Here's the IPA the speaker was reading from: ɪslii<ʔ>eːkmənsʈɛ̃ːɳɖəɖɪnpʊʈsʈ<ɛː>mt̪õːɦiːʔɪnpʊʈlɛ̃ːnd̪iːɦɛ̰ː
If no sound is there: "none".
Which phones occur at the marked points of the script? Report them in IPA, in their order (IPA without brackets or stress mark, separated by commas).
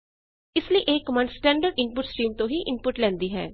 ʔ, iː